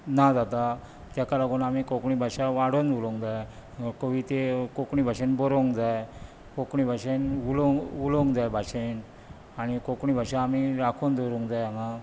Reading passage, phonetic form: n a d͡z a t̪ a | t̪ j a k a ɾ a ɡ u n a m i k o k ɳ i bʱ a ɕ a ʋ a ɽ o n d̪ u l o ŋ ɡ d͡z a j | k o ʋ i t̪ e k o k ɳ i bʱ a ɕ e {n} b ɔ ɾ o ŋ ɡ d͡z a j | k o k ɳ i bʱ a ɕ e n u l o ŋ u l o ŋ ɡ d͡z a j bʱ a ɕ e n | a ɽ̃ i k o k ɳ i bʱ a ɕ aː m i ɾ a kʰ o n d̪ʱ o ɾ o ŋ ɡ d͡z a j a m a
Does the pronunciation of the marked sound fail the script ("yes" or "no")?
no